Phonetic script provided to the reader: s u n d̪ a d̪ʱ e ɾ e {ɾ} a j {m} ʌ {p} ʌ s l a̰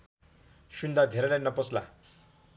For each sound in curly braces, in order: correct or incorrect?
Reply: incorrect: l, incorrect: n, correct

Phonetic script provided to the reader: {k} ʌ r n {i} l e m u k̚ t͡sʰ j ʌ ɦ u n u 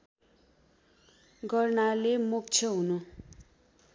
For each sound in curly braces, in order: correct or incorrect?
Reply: incorrect: ɡ, incorrect: a

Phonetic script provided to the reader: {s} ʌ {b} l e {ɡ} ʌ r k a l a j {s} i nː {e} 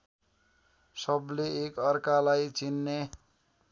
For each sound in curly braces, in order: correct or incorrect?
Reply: correct, correct, incorrect: k, incorrect: t͡s, correct

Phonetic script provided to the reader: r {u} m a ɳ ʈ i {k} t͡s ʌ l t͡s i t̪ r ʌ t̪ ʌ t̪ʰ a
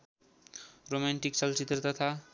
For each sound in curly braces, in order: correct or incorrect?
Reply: incorrect: o, correct

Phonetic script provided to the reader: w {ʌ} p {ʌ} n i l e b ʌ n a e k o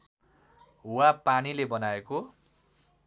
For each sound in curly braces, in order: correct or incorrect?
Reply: incorrect: a, incorrect: a

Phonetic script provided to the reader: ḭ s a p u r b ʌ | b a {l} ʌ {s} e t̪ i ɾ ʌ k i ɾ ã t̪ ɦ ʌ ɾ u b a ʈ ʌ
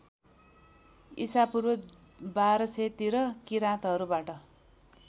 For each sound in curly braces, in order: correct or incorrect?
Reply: incorrect: ɾ, correct

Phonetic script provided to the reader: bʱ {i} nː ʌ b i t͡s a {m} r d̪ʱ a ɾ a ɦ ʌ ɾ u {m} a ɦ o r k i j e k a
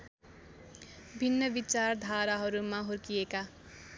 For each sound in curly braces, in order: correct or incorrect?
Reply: correct, incorrect: none, correct

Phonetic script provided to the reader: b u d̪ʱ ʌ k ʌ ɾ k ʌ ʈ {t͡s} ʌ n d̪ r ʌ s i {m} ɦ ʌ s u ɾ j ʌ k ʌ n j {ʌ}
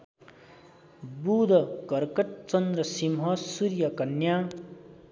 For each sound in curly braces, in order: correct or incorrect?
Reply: correct, correct, incorrect: a

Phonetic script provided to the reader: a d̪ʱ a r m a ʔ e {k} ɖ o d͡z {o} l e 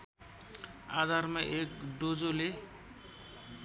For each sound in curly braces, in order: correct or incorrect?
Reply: correct, correct

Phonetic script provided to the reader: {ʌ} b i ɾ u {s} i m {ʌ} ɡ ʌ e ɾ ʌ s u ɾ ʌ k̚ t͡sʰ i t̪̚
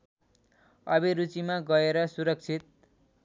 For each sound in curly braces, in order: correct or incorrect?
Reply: correct, incorrect: t͡s, incorrect: a

